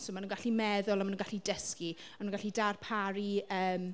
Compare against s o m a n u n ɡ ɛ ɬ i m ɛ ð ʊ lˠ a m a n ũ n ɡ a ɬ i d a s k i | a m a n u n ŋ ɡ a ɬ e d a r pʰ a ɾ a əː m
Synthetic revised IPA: s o m a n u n ɡ a ɬ i m ɛ ð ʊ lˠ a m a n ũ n ɡ a ɬ i d ə s k i | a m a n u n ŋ ɡ a ɬ i d a r pʰ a ɾ i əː m